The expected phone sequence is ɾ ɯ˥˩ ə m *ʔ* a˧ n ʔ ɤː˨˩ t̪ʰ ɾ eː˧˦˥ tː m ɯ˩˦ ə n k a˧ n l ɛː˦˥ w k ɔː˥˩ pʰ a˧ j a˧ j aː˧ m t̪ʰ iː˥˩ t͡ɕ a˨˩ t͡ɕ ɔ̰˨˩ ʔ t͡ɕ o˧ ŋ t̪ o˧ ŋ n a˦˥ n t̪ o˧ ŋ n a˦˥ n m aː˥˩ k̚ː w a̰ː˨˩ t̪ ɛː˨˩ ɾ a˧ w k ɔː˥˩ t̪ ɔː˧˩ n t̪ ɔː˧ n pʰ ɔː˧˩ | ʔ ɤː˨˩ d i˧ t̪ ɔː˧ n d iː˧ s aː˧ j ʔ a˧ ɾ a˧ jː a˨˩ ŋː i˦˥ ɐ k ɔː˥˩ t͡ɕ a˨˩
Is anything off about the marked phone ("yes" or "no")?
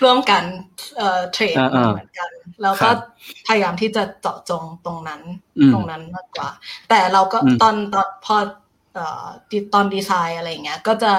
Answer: yes